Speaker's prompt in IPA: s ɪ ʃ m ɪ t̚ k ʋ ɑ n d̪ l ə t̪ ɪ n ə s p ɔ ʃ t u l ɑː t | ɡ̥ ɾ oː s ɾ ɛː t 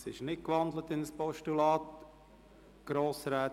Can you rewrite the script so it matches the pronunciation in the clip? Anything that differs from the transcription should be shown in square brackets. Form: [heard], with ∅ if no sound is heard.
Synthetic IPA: s ɪ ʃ [n] ɪ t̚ k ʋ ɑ n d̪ l ə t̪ ɪ n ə s p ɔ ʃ t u l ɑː t | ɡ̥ ɾ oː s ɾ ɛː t